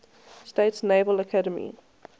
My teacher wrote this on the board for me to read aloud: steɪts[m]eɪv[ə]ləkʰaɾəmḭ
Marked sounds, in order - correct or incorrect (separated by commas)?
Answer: incorrect, correct